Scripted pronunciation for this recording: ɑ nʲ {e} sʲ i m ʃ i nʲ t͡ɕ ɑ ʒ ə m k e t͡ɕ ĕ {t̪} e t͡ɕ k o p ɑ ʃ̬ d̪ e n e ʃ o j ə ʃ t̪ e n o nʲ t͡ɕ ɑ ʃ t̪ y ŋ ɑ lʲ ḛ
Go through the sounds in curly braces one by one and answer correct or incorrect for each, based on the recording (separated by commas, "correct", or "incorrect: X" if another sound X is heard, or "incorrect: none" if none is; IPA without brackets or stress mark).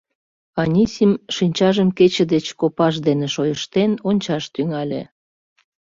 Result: incorrect: i, incorrect: d̪